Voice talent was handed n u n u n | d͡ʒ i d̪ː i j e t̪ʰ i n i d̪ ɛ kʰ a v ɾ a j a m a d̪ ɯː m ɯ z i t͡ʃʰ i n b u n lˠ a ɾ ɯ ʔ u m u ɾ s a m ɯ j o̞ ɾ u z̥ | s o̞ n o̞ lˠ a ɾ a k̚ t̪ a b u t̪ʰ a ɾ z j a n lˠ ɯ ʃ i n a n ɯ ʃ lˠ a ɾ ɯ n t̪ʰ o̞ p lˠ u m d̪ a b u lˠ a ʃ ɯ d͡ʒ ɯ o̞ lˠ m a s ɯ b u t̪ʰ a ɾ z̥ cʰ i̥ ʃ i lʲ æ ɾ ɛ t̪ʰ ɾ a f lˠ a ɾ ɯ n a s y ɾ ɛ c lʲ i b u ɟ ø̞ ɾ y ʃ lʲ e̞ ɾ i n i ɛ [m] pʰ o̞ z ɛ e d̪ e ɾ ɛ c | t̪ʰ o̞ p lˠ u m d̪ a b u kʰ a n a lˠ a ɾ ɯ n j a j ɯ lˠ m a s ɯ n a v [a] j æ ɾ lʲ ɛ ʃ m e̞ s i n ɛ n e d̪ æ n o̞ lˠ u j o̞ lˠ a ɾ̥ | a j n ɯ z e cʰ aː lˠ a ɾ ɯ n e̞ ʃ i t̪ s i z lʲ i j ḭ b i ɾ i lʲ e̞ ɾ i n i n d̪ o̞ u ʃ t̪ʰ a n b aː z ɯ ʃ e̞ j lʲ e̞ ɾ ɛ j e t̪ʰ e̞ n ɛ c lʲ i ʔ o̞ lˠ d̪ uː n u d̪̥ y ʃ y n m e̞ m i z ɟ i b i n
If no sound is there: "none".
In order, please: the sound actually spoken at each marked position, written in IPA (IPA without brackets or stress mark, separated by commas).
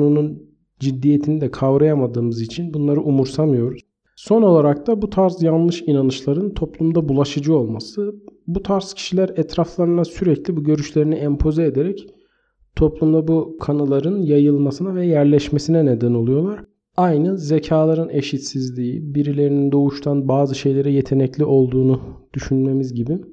m, ɛ